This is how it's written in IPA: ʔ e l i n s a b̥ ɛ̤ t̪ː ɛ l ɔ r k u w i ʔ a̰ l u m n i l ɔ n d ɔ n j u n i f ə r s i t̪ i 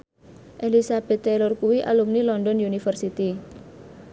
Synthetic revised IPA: ʔ e l i s a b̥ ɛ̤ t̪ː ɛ l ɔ r k u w i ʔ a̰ l u m n i l ɔ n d ɔ n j u n i f ə r s i t̪ i